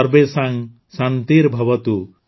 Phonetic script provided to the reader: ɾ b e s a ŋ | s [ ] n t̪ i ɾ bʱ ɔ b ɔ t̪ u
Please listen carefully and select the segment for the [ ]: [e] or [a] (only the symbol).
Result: a